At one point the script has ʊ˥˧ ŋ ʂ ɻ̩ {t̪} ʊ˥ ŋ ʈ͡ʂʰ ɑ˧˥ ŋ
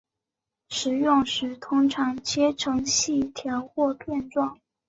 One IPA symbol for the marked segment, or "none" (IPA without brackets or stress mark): t̪ʰ